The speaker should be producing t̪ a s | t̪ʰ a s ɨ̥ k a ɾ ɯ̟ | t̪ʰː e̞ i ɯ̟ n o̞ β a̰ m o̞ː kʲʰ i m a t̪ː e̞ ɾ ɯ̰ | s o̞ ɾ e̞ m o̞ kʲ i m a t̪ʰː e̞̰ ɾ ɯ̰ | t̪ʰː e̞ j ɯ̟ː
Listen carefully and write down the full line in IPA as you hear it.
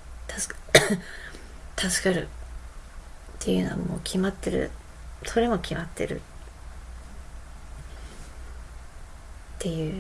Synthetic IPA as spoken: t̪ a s | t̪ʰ a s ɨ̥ k a ɾ ɯ̟ | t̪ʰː e̞ j ɯ̟ n o̞ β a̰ m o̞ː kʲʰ i m a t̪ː e̞ ɾ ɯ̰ | s o̞ ɾ e̞ m o̞ kʲ i m a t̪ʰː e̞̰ ɾ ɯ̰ | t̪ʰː e̞ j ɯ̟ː

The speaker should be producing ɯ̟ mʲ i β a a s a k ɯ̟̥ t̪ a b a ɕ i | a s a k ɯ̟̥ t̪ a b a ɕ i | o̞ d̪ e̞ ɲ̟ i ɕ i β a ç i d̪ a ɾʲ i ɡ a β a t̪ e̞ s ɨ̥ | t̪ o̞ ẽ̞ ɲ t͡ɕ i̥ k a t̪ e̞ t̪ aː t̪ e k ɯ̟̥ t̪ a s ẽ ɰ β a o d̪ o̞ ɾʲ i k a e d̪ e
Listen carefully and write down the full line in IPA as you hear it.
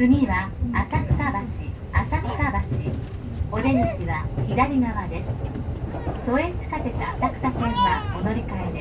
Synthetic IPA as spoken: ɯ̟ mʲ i β a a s a k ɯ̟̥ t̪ a b a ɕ i | a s a k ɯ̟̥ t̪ a b a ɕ i | o̞ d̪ e̞ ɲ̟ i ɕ i β a ç i d̪ a ɾʲ i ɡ a β a d̪ e̞ s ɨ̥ | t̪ o̞ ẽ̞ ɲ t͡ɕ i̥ k a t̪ e̞ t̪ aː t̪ a k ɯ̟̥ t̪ a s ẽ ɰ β a o d̪ o̞ ɾʲ i k a e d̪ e

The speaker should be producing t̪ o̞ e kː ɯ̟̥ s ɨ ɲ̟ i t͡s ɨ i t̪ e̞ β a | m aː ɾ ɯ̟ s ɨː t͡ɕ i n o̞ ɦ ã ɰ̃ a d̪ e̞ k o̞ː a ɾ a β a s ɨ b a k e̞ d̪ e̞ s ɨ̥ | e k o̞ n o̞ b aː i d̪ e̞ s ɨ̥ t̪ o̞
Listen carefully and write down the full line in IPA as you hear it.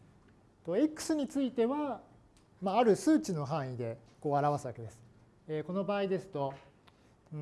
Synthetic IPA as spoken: t̪ o̞ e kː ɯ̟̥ s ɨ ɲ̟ i t͡s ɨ i t̪ e̞ β a | m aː ɾ ɯ̟ s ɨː t͡ɕ i n o̞ ɦ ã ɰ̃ i d̪ e̞ k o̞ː a ɾ a β a s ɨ β a k e̞ d̪ e̞ s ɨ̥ | e k o̞ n o̞ b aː i d̪ e̞ s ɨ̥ t̪ o̞

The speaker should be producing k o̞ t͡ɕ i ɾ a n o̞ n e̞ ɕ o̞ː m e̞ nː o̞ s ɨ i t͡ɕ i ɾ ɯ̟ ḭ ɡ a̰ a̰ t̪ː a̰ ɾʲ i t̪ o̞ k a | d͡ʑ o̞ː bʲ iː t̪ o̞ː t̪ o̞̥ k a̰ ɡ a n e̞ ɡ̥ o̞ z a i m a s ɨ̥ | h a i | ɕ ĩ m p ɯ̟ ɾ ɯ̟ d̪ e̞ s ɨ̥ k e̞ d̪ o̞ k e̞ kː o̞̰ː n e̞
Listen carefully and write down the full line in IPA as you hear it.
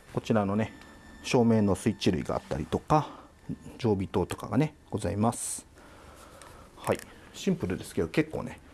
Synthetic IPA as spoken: k o̞ t͡ɕ i ɾ a n o̞ n e̞ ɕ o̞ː m e̞ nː o̞ s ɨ i t͡ɕ i ɾ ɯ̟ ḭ ɡ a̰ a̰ t̪ː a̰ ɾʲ i t̪ o̞ k a | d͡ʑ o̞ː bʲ i t̪ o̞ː t̪ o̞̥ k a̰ ɡ a n e̞ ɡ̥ o̞ z a i m a s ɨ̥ | h a i | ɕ ĩ m p ɯ̟ ɾ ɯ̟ d̪ e̞ s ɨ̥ k e̞ d̪ o̞ k e̞ kː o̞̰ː n e̞

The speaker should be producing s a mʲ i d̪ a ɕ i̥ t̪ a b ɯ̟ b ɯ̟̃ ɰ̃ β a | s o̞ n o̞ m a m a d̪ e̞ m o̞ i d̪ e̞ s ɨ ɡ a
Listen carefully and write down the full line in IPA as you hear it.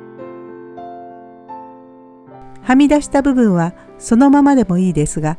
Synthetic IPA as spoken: h a mʲ i d̪ a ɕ i̥ t̪ a b ɯ̟ b ɯ̟̃ ɰ̃ β a | s o̞ n o̞ m a m a d̪ e̞ m o̞ iː d̪ e̞ s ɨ ɡ a

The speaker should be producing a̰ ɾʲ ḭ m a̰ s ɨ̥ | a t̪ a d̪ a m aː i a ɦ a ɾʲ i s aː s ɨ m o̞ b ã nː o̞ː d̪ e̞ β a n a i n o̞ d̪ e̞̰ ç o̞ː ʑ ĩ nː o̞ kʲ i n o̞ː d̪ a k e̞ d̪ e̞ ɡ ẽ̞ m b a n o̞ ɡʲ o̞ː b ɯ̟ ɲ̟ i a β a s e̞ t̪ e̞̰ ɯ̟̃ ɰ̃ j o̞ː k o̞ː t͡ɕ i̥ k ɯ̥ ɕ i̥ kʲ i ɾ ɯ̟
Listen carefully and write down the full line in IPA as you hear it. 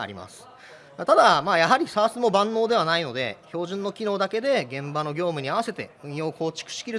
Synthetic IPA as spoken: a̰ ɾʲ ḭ m a̰ s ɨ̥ | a t̪ a d̪ a m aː j a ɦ a ɾʲ i s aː s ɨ m o̞ b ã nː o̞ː d̪ e̞ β a n a i n o̞ d̪ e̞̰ ç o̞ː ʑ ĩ nː o̞ kʲ i n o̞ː d̪ a k e̞ d̪ e̞ ɡ ẽ̞ m b a n o̞ ɡʲ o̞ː m ɯ̟ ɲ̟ i a β a s e̞ t̪ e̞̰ ɯ̟̃ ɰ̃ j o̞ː k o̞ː t͡ɕ i̥ k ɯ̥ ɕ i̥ kʲ i ɾ ɯ̟

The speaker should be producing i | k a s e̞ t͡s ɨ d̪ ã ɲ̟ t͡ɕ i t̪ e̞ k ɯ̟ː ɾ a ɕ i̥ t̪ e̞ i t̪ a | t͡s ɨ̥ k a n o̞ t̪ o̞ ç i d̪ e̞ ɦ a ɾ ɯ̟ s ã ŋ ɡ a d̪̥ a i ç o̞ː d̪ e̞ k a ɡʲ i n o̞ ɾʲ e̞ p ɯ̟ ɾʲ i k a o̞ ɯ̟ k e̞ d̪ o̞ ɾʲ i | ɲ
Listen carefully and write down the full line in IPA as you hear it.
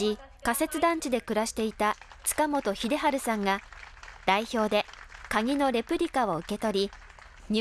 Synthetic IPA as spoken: i | k a s e̞ t͡s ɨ d̪ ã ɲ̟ t͡ɕ i d̪ e̞ k ɯ̟ ɾ a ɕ i̥ t̪ e̞ i t̪ a | t͡s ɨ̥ k a m o̞ t̪ o̞ ç i d̪ e̞ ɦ a ɾ ɯ̟ s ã ŋ ɡ a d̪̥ a i ç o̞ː d̪ e̞ k a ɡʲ i n o̞ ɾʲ e̞ p ɯ̟ ɾʲ i k a o̞ ɯ̟ k e̞ t̪ o̞ ɾʲ i | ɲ

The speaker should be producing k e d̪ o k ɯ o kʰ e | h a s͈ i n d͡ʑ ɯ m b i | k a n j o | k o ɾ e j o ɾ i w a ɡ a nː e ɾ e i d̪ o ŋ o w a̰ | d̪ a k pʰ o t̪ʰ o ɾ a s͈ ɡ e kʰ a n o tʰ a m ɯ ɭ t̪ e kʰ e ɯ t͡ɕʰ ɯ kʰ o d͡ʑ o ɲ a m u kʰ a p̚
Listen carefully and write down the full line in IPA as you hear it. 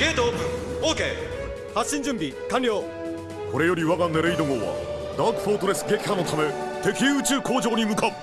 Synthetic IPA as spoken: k e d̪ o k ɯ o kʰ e | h a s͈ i n d͡ʑ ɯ m b i | k a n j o | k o ɾ e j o ɾ i w a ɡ a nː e ɾ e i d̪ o ŋ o w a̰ | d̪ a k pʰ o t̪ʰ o ɾ e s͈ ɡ e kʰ a n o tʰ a m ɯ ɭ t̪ e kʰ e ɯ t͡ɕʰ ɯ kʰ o d͡ʑ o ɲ i m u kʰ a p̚

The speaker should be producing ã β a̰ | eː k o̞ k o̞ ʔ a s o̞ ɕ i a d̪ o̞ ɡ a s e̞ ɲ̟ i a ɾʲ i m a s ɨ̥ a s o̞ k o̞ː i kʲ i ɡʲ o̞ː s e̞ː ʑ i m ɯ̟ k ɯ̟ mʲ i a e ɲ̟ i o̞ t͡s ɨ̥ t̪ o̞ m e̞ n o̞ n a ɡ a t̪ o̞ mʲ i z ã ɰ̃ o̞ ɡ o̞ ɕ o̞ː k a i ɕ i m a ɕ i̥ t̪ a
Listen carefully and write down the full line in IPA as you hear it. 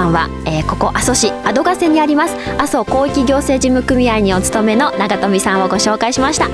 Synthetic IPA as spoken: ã β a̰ | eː k o̞ k o̞ ʔ a s o̞ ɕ i a d̪ o̞ ɡ a s e̞ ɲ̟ i a ɾʲ i m a s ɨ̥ a s o̞ k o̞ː i kʲ i ɡʲ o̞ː s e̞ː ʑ i m ɯ̟ k ɯ̟ mʲ i a i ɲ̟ i o̞ t͡s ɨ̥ t̪ o̞ m e̞ n o̞ n a ɡ a t̪ o̞ mʲ i s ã ɰ̃ o̞ ɡ o̞ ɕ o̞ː k a i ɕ i m a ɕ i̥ t̪ a

